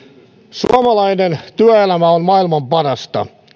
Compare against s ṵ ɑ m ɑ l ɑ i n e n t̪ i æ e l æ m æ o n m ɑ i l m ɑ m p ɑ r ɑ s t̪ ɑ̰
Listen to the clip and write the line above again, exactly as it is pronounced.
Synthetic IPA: s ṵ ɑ m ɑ l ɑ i n e n t̪ y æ e l æ m æ o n m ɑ i l m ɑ m p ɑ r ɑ s t̪ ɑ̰